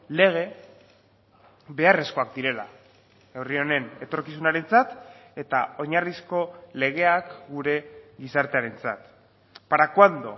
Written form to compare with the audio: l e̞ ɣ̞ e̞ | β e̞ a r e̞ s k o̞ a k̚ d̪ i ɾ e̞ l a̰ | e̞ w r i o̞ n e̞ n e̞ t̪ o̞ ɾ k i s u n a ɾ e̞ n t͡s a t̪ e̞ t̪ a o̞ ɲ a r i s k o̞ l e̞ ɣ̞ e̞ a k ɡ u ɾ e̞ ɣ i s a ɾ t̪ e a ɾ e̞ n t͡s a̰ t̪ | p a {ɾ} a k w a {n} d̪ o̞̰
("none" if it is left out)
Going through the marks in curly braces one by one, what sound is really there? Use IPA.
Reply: ɾ, n

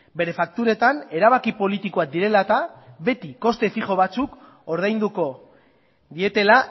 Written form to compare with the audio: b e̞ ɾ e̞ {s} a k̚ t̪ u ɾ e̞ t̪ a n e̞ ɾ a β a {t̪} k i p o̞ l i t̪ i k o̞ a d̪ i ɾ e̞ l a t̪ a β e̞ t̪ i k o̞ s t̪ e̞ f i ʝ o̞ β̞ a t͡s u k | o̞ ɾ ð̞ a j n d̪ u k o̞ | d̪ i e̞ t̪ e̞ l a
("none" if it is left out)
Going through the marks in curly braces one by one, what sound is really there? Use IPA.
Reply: f, none

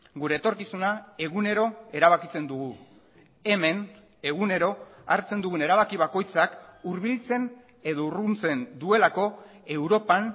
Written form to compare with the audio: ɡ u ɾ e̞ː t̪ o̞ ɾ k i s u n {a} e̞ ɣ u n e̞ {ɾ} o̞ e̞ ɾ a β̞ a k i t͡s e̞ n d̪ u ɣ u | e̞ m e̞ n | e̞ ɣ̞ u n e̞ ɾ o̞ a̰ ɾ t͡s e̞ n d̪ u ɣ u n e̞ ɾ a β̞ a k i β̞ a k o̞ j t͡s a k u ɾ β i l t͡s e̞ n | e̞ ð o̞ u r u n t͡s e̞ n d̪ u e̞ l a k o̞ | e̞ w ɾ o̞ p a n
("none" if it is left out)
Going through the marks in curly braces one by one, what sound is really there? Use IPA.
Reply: a, ɾ

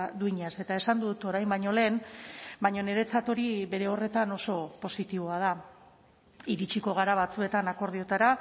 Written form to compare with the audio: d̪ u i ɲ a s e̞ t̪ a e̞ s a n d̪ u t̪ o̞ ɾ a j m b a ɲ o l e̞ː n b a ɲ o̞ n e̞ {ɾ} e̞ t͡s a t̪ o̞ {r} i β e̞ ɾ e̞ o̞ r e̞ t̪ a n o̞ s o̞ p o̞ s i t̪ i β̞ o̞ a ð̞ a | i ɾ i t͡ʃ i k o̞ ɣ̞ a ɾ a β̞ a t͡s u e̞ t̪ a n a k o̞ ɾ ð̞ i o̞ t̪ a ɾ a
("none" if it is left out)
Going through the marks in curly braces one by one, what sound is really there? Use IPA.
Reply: ɾ, ɾ

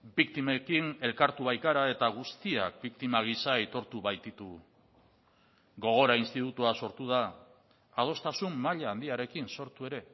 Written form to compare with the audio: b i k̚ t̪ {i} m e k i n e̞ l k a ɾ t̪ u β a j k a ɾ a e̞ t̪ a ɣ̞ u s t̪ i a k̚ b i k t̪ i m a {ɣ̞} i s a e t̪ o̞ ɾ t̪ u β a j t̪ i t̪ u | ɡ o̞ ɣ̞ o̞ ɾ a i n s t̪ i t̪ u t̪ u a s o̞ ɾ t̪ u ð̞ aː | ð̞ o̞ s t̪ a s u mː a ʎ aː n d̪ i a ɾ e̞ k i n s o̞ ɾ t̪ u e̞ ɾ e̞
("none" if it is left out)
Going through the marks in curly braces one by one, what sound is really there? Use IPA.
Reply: i, ɣ̞

